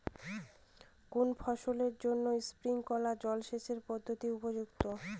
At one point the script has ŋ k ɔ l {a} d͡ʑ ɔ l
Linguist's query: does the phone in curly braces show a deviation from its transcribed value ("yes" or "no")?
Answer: no